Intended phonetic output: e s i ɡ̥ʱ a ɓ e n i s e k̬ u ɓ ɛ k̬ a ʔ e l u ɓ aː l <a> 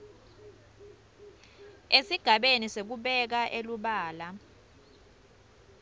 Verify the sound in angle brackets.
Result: correct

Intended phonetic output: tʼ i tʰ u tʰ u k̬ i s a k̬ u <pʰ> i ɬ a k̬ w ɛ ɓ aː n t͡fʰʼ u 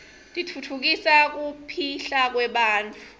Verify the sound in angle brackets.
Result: correct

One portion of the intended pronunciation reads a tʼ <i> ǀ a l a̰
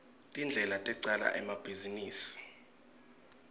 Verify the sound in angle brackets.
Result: incorrect: ɛ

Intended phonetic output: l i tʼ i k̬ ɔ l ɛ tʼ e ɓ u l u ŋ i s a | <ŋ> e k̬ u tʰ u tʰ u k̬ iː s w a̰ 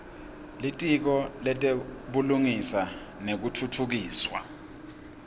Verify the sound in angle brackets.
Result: incorrect: n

